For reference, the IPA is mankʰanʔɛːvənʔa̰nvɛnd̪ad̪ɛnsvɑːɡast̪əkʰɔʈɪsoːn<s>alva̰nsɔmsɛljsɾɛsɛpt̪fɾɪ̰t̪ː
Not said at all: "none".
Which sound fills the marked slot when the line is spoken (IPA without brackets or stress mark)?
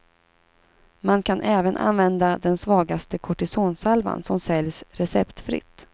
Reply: s